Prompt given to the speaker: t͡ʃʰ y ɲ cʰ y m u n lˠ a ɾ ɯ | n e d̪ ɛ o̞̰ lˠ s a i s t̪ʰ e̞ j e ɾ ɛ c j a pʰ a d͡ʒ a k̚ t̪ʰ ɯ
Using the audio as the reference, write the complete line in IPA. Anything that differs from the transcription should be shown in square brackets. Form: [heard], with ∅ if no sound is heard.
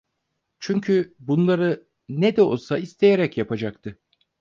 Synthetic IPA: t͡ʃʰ y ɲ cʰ y [b] u n lˠ a ɾ ɯ | n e d̪ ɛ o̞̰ lˠ s a i s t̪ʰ e̞ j e ɾ ɛ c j a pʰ a d͡ʒ a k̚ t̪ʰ ɯ

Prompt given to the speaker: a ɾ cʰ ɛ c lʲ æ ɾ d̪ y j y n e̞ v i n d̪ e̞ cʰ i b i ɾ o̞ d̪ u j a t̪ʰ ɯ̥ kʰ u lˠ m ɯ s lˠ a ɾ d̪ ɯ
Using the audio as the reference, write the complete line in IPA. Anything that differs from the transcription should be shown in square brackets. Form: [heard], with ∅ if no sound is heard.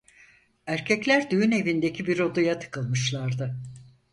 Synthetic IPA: [æ] ɾ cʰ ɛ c lʲ æ ɾ d̪ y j y n e̞ v i n d̪ e̞ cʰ i b i ɾ o̞ d̪ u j a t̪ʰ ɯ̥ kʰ [ɯ] lˠ m ɯ [ʃ] lˠ a ɾ d̪ ɯ

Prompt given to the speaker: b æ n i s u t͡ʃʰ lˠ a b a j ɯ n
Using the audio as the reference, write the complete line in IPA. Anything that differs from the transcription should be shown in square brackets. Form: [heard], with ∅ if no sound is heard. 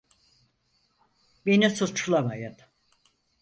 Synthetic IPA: b [e] n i s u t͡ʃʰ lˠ a [m] a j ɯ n

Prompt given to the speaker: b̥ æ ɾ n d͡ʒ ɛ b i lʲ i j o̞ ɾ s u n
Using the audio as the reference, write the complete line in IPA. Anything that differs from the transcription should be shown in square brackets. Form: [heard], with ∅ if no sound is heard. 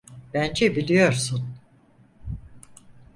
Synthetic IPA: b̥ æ [∅] n d͡ʒ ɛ b i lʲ i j o̞ ɾ s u n

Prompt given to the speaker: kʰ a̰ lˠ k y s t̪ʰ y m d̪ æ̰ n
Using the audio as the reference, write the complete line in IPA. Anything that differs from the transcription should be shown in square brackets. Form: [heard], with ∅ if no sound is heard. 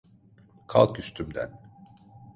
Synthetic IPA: kʰ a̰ lˠ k y s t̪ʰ y m d̪ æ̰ n

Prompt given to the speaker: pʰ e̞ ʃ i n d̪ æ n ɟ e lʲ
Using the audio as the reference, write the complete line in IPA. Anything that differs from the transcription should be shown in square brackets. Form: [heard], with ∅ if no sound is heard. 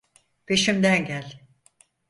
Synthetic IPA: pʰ e̞ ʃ i [m] d̪ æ n ɟ [æ] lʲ

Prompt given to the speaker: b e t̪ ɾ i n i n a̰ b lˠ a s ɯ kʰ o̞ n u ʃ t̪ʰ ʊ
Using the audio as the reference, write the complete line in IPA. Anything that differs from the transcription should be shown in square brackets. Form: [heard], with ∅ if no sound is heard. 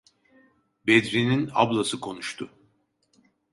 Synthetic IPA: b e [d̪] ɾ i n i n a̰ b lˠ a s ɯ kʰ o̞ n u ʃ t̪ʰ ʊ

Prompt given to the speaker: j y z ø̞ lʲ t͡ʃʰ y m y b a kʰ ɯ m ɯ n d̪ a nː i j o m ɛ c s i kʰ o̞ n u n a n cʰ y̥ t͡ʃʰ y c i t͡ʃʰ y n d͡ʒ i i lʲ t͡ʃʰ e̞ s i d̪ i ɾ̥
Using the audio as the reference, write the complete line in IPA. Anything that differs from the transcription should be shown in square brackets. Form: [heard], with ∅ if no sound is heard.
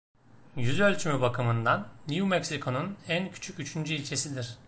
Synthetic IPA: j y z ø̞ lʲ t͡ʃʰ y m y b a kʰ ɯ m ɯ n d̪ a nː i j [u] m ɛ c s i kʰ o̞ n u n [æ] n cʰ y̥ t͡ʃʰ y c [y] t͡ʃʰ y n d͡ʒ [y] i lʲ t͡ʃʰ e̞ s i d̪ i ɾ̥

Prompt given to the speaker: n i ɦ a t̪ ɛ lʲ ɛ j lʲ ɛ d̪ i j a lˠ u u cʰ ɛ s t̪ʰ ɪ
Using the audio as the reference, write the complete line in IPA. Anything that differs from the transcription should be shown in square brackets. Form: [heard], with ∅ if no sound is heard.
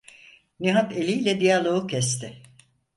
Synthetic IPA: n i ɦ a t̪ [e] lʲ [i] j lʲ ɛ d̪ i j a lˠ [o] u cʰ ɛ s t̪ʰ ɪ

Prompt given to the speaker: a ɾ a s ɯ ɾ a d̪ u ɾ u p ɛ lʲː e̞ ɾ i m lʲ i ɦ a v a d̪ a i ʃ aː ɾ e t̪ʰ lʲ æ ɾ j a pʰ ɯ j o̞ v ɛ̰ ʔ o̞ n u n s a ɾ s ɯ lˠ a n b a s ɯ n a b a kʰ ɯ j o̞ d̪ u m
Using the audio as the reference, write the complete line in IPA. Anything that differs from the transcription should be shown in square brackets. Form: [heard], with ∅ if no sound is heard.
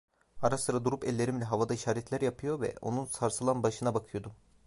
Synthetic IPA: a ɾ a s ɯ ɾ a d̪ u ɾ u p ɛ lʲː e̞ ɾ i m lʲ [ɛ] ɦ a v a d̪ a i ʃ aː ɾ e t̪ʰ lʲ æ ɾ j a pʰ ɯ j o̞ v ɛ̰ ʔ o̞ n u n s a ɾ s ɯ lˠ a n b a [ʃ] ɯ n a b a kʰ ɯ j o̞ d̪ u m

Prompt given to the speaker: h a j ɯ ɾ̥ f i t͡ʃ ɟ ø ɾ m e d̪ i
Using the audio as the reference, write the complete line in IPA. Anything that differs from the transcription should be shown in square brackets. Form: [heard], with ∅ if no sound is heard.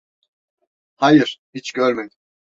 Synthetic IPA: h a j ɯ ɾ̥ [h] i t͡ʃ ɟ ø ɾ m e d̪ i

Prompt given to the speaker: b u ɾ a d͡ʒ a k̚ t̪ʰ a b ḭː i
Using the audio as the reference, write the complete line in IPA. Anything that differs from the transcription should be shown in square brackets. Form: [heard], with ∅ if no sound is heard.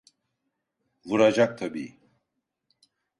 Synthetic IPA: [v] u ɾ a d͡ʒ a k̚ t̪ʰ a b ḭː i

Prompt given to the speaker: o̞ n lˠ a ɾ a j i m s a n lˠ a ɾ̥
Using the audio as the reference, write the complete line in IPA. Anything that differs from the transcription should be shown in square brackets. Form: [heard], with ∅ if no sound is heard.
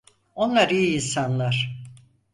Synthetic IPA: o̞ n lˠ a ɾ [i] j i [n] s a n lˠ a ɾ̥

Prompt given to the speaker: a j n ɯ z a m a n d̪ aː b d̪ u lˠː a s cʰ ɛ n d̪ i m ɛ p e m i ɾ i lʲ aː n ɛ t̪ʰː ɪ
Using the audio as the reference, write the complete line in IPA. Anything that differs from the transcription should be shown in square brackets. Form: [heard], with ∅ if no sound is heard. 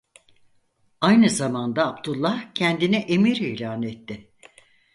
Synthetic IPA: a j n ɯ z a m a n d̪ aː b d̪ u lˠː a [h] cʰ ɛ n d̪ i [n] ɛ [ʔ] e m i ɾ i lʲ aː n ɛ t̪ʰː ɪ

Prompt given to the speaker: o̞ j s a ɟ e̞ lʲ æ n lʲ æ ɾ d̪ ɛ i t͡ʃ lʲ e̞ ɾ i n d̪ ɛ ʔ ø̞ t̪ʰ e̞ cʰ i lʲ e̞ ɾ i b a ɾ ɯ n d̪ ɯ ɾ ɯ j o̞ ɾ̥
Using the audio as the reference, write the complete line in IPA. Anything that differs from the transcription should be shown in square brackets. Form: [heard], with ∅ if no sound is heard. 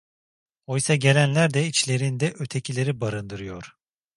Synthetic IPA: o̞ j s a ɟ e̞ lʲ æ n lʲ æ ɾ d̪ ɛ i t͡ʃ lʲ e̞ ɾ i n d̪ ɛ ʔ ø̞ t̪ʰ e̞ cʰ i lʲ e̞ ɾ i b a ɾ ɯ n d̪ ɯ ɾ ɯ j o̞ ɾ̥

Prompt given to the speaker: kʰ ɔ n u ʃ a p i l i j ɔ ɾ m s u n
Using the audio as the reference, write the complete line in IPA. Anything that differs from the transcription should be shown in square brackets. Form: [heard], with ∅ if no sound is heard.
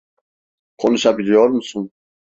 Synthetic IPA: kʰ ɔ n u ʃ a [b] i l i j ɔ ɾ m s u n

